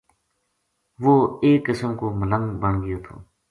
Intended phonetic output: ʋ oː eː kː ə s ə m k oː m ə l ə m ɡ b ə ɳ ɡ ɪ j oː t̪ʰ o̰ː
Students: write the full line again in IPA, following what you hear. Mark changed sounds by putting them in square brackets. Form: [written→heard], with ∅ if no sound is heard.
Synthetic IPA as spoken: ʋ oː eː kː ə s ə m k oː m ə l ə [m→ŋ] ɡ b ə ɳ ɡ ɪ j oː t̪ʰ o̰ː